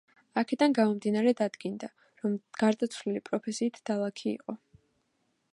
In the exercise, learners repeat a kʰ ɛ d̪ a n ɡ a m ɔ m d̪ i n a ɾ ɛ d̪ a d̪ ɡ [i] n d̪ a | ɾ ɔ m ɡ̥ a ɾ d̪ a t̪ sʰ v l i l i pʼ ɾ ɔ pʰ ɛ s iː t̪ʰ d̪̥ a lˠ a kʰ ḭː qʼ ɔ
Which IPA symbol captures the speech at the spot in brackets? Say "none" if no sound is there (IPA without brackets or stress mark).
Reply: i